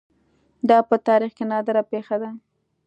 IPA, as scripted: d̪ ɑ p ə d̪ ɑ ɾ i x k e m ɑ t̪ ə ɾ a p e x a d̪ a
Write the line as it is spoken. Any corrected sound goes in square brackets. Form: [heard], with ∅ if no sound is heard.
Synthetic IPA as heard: d̪ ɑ p ə [t̪] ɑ ɾ i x k e [n] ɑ [d̪] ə ɾ a p e x a d̪ a